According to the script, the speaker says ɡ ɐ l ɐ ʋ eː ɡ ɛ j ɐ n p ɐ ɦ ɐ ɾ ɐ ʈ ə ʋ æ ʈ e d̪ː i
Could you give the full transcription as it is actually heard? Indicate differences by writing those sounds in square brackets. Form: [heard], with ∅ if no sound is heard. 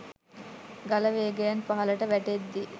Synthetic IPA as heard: ɡ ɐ l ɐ ʋ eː ɡ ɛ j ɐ n p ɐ ɦ ɐ [l] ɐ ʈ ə ʋ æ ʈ e d̪ː i